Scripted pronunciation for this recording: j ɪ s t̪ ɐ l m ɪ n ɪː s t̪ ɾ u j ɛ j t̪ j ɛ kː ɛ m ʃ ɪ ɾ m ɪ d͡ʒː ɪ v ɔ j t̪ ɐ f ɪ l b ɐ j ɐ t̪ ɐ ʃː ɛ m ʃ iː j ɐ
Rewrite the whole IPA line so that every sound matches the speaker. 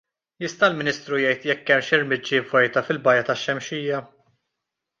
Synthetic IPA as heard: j ɪ s t̪ ɐ l m ɪ n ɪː s t̪ ɾ u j ɛ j t̪ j ɛ kː ɛ m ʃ ɪ ɾ m ɪ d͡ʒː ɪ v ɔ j t̪ ɐ f ɪ l b ɐ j ɐ t̪ ɐ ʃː ɛ m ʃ iː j ɐ